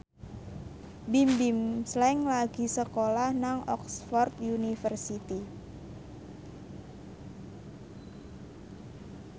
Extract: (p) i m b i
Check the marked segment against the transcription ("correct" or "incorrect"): incorrect